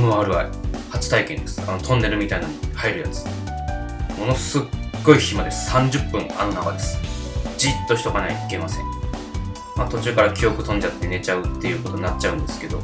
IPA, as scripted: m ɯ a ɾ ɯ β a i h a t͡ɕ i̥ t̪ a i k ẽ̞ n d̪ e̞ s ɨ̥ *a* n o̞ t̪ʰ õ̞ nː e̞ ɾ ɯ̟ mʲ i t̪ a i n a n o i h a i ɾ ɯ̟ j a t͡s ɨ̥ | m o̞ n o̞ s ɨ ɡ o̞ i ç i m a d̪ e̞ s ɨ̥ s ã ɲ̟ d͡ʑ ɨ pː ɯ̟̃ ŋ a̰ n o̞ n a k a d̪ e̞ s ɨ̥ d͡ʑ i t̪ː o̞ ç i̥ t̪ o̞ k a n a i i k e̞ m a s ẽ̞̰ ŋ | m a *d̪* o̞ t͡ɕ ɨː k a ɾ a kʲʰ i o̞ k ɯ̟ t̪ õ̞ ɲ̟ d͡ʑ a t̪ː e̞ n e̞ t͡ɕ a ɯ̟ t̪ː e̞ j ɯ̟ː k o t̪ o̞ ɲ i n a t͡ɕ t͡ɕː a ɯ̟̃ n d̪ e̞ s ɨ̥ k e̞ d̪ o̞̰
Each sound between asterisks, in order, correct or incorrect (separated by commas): correct, incorrect